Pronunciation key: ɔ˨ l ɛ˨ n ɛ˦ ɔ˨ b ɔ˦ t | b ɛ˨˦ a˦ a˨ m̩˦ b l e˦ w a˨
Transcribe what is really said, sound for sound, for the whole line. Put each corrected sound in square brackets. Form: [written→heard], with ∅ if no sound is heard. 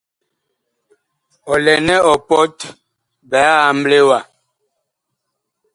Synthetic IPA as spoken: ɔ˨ l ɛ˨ n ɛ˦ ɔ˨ [b→p] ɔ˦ t | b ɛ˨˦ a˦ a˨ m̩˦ b l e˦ w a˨